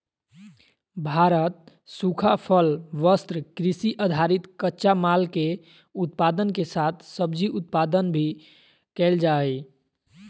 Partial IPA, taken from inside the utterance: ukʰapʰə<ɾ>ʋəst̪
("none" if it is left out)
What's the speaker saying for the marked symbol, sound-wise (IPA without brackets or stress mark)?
l